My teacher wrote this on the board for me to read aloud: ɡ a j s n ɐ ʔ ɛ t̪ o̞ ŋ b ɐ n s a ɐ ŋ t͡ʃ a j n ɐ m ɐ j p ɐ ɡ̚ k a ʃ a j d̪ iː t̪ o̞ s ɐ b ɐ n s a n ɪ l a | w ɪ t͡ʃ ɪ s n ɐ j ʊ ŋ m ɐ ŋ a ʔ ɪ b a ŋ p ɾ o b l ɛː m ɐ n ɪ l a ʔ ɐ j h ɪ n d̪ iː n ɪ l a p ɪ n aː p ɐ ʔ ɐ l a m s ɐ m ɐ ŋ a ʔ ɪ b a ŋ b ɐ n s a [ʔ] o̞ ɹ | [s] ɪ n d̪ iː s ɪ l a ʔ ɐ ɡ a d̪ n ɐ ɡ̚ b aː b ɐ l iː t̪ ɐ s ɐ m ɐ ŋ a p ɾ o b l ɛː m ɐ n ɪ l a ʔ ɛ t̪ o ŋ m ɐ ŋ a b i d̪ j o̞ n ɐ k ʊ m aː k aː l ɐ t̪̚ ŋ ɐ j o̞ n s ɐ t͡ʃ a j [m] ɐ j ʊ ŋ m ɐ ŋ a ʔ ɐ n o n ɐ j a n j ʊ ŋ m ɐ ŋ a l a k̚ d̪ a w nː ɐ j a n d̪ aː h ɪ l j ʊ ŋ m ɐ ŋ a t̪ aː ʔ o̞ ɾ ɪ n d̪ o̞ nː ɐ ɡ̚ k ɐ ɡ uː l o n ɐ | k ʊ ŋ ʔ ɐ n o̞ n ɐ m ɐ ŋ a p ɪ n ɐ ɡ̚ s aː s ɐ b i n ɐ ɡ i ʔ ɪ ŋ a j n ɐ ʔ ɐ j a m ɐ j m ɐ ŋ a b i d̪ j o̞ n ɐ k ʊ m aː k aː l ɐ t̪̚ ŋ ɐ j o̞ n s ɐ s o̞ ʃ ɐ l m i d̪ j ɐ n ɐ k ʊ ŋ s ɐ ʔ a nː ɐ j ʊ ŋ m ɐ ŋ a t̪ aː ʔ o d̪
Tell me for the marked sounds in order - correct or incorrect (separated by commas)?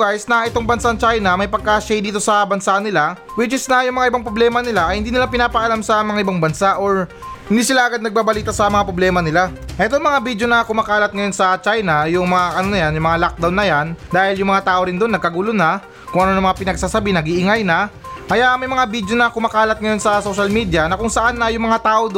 correct, incorrect, incorrect